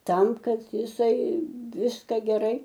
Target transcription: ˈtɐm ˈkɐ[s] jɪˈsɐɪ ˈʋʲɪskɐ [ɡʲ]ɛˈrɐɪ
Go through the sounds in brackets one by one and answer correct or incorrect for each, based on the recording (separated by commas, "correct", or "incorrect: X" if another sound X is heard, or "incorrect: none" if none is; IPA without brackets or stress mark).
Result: incorrect: t, correct